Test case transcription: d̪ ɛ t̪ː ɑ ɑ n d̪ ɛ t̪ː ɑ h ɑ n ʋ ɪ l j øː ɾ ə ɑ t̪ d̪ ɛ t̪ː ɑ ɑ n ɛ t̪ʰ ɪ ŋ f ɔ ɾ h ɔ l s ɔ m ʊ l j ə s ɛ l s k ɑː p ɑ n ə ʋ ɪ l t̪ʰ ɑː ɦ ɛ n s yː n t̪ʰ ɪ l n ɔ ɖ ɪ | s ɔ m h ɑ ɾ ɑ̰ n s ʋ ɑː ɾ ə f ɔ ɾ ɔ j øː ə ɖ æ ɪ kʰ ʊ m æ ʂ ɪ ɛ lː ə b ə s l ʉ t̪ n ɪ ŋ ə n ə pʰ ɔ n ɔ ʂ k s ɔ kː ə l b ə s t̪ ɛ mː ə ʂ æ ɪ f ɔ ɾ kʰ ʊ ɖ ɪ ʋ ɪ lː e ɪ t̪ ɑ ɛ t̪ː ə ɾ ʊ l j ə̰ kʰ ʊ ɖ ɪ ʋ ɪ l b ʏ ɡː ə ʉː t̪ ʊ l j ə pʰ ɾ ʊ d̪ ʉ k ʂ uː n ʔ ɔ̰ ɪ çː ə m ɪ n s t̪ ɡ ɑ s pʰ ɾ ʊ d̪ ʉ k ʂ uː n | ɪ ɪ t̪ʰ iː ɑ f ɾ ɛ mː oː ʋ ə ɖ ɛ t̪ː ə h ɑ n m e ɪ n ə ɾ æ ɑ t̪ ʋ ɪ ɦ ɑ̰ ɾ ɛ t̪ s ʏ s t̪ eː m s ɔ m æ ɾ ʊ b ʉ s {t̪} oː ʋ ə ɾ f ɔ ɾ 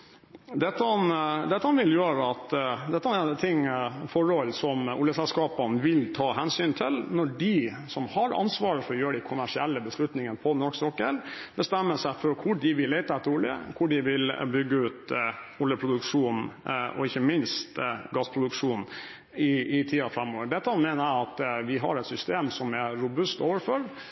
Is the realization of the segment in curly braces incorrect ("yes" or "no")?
no